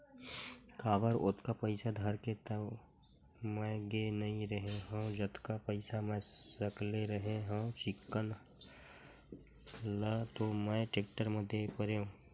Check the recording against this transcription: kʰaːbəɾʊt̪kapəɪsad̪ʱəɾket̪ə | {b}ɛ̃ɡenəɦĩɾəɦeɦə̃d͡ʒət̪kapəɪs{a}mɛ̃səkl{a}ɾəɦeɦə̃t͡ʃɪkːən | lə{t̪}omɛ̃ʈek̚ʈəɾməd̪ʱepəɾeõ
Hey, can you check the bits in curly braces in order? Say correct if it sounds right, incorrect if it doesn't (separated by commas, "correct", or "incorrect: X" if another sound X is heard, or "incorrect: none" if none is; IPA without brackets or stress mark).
incorrect: m, correct, incorrect: e, correct